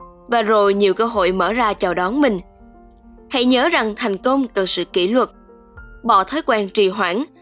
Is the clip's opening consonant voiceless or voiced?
voiced